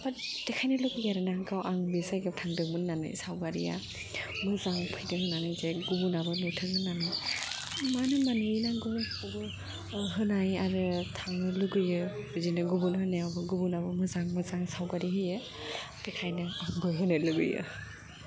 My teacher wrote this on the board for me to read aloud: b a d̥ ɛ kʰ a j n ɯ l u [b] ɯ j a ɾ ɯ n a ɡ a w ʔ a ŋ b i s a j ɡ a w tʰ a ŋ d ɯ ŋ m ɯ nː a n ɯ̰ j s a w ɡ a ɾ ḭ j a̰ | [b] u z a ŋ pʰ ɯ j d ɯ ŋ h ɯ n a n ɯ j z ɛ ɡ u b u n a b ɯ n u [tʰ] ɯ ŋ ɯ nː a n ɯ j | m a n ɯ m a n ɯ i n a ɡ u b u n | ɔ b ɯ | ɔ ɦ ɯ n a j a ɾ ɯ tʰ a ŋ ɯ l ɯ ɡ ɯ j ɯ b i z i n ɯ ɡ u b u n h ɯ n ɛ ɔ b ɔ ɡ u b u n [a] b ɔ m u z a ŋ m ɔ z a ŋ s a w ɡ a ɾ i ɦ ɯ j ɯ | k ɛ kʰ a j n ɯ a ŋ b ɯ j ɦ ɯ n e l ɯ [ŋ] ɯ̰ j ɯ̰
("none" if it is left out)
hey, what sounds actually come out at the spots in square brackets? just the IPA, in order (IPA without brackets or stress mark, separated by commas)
ɡ, m, tʰ, a, ɡ